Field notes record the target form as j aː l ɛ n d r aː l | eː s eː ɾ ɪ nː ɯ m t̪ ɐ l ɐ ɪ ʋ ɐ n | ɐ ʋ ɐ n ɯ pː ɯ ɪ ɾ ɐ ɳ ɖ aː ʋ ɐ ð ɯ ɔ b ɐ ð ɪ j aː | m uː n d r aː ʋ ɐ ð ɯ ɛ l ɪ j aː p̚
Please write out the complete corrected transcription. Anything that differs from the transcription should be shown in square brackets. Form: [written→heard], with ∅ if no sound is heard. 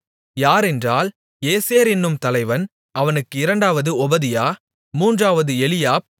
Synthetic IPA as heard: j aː [l→ɾ] ɛ n d r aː l | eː s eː ɾ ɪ nː ɯ m t̪ ɐ l ɐ ɪ ʋ ɐ n | ɐ ʋ ɐ n ɯ [pː→kː] ɯ ɪ ɾ ɐ ɳ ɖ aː ʋ ɐ ð ɯ ɔ b ɐ ð ɪ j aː | m uː n d r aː ʋ ɐ ð ɯ ɛ l ɪ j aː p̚